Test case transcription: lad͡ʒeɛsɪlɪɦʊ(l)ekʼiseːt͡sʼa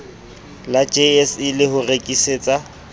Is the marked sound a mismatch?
yes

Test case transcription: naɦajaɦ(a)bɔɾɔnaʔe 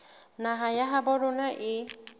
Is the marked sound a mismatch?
no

